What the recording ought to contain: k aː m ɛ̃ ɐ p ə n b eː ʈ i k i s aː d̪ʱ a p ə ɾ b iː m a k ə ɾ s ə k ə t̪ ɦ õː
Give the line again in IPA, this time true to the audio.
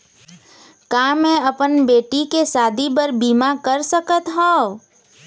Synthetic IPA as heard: k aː m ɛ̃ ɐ p ə n b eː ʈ i k e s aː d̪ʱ i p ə ɾ b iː m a k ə ɾ s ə k ə t̪ ɦ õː